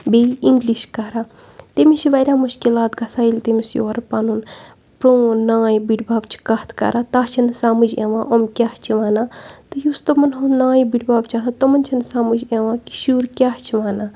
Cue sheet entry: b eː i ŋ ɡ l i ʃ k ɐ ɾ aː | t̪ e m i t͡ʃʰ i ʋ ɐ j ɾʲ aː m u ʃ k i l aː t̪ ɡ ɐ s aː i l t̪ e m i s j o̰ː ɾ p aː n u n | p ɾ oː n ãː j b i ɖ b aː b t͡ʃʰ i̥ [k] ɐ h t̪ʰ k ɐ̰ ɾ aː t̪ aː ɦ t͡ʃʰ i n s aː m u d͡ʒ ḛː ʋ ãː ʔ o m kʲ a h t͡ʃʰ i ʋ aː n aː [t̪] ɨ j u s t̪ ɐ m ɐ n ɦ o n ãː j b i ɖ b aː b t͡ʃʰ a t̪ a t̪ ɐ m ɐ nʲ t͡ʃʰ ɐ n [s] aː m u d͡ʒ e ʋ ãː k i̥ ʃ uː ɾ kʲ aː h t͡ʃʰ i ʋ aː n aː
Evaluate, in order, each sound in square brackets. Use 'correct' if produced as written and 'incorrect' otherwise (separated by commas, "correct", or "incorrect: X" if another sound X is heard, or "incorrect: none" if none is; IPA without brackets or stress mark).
correct, correct, correct